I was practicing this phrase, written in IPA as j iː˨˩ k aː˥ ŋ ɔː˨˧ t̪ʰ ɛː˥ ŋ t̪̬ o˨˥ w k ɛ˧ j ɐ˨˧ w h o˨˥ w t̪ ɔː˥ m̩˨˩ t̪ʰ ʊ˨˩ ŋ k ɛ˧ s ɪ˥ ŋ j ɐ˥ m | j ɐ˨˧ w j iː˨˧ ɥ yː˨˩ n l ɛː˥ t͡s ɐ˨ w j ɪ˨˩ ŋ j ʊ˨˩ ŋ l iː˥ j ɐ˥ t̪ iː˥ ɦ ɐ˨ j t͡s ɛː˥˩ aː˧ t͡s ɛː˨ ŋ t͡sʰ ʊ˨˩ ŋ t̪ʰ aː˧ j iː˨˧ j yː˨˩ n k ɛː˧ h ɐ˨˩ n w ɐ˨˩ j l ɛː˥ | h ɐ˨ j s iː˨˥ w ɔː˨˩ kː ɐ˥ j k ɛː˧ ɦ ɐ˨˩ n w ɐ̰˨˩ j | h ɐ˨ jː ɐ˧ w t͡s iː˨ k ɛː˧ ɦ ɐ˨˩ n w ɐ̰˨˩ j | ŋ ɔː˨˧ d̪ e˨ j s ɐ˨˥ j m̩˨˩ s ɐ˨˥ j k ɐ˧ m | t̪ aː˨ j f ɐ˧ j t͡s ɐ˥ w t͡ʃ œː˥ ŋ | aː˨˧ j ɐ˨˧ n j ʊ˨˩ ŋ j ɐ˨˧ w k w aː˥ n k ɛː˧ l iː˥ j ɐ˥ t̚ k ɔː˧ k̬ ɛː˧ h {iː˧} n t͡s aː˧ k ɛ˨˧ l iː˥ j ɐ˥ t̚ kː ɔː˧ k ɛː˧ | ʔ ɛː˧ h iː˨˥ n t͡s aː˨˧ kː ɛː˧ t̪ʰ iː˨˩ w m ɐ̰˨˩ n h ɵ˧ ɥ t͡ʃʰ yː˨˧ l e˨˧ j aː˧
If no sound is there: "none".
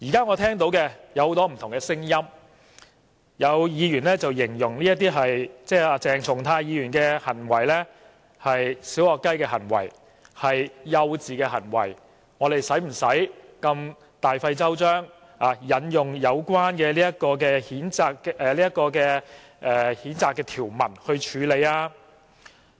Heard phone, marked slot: iː˨˥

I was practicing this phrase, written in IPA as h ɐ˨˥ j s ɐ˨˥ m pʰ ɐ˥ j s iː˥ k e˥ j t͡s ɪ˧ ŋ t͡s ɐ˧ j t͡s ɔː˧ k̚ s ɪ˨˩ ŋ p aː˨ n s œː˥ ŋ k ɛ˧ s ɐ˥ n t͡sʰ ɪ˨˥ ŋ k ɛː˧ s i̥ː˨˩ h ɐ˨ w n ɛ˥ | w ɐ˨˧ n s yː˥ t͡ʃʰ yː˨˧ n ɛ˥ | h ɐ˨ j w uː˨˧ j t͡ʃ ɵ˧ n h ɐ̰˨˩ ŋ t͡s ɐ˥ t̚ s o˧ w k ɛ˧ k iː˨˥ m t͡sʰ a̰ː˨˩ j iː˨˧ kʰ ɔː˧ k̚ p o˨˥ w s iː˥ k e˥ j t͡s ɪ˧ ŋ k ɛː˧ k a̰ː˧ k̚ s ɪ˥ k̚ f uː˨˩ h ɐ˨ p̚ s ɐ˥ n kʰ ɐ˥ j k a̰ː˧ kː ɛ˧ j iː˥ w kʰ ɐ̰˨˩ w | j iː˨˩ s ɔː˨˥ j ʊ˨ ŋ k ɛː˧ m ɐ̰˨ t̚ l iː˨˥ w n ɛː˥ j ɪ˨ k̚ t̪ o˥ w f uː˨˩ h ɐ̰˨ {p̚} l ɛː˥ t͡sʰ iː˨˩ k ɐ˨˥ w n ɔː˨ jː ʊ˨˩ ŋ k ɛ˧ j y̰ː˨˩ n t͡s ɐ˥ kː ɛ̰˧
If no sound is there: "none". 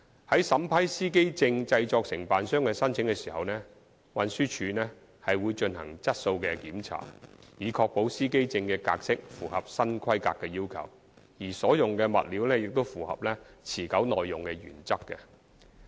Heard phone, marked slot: p̚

